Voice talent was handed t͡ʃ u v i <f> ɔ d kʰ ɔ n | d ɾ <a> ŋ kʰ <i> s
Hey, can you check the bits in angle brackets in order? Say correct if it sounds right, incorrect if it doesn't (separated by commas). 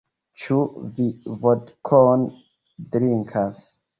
incorrect, incorrect, incorrect